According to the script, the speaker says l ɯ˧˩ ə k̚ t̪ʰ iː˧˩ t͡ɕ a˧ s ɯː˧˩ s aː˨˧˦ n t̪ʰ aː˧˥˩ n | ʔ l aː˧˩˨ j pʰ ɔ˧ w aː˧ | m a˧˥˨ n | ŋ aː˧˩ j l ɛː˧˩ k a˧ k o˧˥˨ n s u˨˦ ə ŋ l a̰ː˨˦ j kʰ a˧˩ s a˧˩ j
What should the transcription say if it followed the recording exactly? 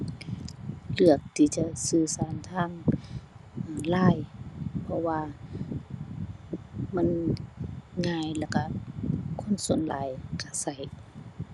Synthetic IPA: l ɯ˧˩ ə k̚ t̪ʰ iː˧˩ t͡ɕ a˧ s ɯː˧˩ s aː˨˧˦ n t̪ʰ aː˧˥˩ ŋ | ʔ l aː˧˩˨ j pʰ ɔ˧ w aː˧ | m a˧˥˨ n | ŋ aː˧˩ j l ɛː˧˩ k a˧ kʰ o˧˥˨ n s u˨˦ ə n l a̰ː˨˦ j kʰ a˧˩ s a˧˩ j